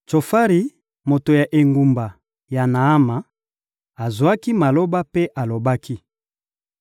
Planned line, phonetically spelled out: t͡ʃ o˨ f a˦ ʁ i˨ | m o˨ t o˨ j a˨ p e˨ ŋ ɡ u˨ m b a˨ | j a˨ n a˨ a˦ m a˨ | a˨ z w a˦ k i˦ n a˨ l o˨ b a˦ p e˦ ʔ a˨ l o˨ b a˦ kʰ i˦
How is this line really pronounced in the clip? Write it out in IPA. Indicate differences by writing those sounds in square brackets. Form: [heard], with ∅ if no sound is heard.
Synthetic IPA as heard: t͡ʃ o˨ f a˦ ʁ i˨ | m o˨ t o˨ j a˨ [ʔ] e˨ ŋ ɡ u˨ m b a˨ | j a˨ n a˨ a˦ m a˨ | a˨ z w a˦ k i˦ [m] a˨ l [o˦] b a˦ p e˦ ʔ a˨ l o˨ b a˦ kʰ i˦